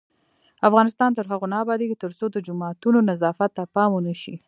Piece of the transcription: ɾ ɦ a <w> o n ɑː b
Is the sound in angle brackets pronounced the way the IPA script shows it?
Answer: no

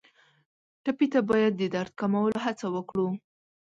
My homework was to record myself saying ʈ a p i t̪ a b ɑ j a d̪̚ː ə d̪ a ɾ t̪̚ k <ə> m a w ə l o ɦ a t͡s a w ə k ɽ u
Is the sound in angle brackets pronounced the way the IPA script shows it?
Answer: no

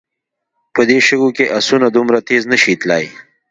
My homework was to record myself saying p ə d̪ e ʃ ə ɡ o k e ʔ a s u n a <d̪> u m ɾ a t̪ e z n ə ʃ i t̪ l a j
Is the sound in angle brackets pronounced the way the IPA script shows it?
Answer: yes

